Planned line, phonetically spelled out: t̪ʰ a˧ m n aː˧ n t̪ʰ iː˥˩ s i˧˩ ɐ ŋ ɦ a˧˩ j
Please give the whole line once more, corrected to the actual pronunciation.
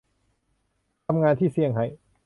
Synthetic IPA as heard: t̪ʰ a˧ m ŋ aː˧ n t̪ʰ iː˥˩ s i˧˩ ə ŋ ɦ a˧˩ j